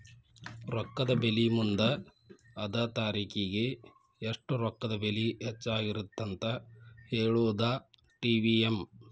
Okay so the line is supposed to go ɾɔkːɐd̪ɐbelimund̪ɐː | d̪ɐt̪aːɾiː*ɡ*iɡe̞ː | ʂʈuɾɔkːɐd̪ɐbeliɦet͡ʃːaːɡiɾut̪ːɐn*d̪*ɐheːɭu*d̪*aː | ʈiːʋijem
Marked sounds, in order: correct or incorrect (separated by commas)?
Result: incorrect, incorrect, correct